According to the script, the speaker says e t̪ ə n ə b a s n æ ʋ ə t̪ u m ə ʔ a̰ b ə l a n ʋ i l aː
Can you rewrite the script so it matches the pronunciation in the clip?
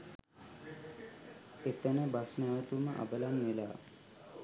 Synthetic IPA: e t̪ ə n ə b a s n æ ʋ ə t̪ u m ə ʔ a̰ b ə l a n ʋ e l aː